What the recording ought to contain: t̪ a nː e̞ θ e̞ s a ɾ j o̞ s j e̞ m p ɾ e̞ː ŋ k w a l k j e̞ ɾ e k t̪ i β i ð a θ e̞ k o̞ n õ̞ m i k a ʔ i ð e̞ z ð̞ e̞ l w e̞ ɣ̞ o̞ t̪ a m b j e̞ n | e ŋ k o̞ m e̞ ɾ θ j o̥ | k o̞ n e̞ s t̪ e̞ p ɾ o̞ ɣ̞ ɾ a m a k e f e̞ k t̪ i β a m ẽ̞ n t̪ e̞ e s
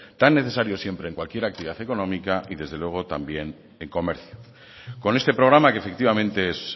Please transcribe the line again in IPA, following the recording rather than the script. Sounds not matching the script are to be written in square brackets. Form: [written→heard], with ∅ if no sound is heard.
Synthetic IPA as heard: t̪ a nː e̞ θ e̞ s a ɾ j o̞ s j e̞ m p ɾ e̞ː ŋ k w a l k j e̞ ɾ [e→a] k t̪ i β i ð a θ e̞ k o̞ n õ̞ m i k a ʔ i ð e̞ z ð̞ e̞ l w e̞ ɣ̞ o̞ t̪ a m b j e̞ n | e ŋ k o̞ m e̞ ɾ θ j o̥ | k o̞ n e̞ s t̪ e̞ p ɾ o̞ ɣ̞ ɾ a m a k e f e̞ k t̪ i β a m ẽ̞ n t̪ e̞ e s

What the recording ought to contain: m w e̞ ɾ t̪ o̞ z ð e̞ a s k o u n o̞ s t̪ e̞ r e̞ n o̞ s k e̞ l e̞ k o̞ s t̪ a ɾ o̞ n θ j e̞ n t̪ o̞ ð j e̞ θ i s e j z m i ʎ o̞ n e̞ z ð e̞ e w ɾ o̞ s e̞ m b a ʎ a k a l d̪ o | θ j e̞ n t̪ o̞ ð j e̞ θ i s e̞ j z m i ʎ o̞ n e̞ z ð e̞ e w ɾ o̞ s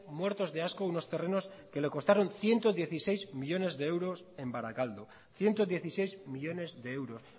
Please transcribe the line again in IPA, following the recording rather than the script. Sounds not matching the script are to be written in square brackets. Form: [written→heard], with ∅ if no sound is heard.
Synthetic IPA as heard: m w e̞ ɾ t̪ o̞ z ð e̞ a s k o u n o̞ s t̪ e̞ r e̞ n o̞ s k e̞ l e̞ k o̞ s t̪ a ɾ o̞ n θ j e̞ n t̪ o̞ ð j e̞ θ i s e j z m i ʎ o̞ n e̞ z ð e̞ e w ɾ o̞ s e̞ m b a [ʎ→ɾ] a k a l d̪ o | θ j e̞ n t̪ o̞ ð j e̞ θ i s e̞ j z m i ʎ o̞ n e̞ z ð e̞ e w ɾ o̞ s

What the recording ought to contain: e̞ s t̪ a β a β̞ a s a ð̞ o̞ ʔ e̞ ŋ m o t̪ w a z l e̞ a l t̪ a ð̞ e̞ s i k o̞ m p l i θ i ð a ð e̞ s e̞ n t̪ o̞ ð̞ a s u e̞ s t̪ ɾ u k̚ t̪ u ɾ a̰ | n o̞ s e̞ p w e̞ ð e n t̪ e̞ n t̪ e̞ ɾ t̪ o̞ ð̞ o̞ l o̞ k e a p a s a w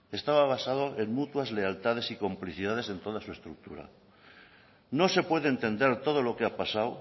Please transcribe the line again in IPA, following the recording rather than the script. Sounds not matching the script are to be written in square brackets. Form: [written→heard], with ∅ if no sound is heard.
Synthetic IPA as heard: e̞ s t̪ a β a β̞ a s a ð̞ o̞ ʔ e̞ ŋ m [o→u] t̪ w a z l e̞ a l t̪ a ð̞ e̞ s i k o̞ m p l i θ i ð a ð e̞ s e̞ n t̪ o̞ ð̞ a s u e̞ s t̪ ɾ u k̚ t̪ u ɾ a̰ | n o̞ s e̞ p w e̞ ð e n t̪ e̞ n [t̪→d̪] e̞ ɾ t̪ o̞ ð̞ o̞ l o̞ k e a p a s a w

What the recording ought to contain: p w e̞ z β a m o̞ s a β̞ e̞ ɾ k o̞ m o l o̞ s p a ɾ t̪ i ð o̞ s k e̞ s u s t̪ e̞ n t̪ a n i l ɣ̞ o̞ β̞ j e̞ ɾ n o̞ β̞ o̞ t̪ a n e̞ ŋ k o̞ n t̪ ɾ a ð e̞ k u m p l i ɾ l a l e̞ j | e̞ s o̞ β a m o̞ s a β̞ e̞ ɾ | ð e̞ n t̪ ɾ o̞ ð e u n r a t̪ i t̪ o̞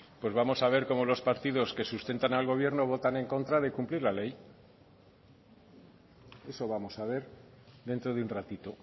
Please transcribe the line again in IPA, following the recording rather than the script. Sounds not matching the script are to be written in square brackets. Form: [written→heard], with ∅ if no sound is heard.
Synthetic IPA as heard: p w e̞ z β a m o̞ s a β̞ e̞ ɾ k o̞ m o l o̞ s p a ɾ t̪ i ð o̞ s k e̞ s u s t̪ e̞ n t̪ a n [i→a] l ɣ̞ o̞ β̞ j e̞ ɾ n o̞ β̞ o̞ t̪ a n e̞ ŋ k o̞ n t̪ ɾ a ð e̞ k u m p l i ɾ l a l e̞ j | e̞ s o̞ β a m o̞ s a β̞ e̞ ɾ | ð e̞ n t̪ ɾ o̞ ð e u n r a t̪ i t̪ o̞

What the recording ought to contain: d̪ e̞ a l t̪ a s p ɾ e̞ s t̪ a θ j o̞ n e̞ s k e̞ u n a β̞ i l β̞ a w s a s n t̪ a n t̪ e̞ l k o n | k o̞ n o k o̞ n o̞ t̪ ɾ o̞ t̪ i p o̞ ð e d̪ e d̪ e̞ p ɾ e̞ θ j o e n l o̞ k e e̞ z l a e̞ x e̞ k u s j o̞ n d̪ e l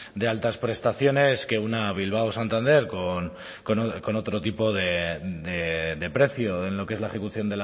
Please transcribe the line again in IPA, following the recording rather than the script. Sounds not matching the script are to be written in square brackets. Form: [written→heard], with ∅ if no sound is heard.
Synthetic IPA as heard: d̪ e̞ a l t̪ a s p ɾ e̞ s t̪ a θ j o̞ n e̞ s k e̞ u n a β̞ i l β̞ a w s a [s→∅] n t̪ a n [t̪→d̪] e̞ [l→ɾ] k o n | k o̞ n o k o̞ n o̞ t̪ ɾ o̞ t̪ i p o̞ ð e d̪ e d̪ e̞ p ɾ e̞ θ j o e n l o̞ k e e̞ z l a e̞ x e̞ k u [s→θ] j o̞ n d̪ e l

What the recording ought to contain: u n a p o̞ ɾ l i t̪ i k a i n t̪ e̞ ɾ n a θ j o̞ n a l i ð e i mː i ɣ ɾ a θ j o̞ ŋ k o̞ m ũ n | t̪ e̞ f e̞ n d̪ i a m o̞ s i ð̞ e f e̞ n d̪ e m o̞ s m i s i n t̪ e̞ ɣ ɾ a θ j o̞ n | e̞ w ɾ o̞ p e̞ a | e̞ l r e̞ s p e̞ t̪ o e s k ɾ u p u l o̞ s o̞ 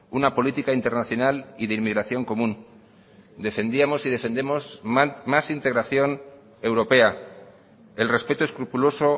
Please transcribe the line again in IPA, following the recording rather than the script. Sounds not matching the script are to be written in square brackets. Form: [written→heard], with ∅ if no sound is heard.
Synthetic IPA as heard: u n a p o̞ [ɾ→∅] l i t̪ i k a i n t̪ e̞ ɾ n a θ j o̞ n a l i ð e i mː i ɣ ɾ a θ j o̞ ŋ k o̞ m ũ n | [t̪→d̪] e̞ f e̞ n d̪ i a m o̞ s i ð̞ e f e̞ n d̪ e m o̞ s m [i→a] s i n t̪ e̞ ɣ ɾ a θ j o̞ n | e̞ w ɾ o̞ p e̞ a | e̞ l r e̞ s p e̞ t̪ o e s k ɾ u p u l o̞ s o̞

